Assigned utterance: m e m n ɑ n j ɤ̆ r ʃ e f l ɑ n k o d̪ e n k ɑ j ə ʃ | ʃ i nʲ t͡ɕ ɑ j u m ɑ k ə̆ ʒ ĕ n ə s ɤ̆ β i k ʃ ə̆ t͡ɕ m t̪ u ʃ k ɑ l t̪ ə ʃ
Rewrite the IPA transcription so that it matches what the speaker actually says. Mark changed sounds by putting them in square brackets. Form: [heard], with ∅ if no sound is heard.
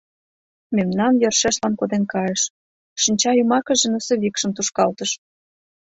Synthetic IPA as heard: m e m n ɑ n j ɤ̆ r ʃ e [ʃ] l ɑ n k o d̪ e n k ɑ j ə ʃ | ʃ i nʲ t͡ɕ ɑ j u m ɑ k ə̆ ʒ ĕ n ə s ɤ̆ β i k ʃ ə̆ [∅] m t̪ u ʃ k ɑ l t̪ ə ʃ